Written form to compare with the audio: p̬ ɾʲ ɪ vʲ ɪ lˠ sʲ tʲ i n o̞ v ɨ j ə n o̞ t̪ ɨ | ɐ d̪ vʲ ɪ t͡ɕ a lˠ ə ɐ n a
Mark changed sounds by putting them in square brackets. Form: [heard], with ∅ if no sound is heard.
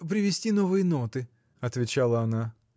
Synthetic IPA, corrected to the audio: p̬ ɾʲ ɪ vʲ ɪ [∅] sʲ tʲ i n o̞ v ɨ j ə n o̞ t̪ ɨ | ɐ [t̪] vʲ ɪ t͡ɕ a lˠ ə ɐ n a